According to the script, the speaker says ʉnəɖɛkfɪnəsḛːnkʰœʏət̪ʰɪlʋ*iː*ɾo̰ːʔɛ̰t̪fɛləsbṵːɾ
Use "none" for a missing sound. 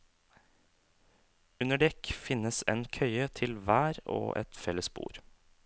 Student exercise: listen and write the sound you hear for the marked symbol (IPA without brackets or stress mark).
æː